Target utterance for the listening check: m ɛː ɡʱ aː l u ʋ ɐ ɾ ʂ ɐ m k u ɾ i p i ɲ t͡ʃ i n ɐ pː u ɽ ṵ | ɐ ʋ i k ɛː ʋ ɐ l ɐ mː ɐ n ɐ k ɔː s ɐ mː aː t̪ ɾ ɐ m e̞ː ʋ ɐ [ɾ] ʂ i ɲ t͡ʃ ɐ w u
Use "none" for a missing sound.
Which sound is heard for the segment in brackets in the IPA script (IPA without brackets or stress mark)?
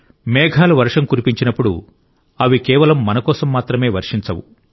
ɾ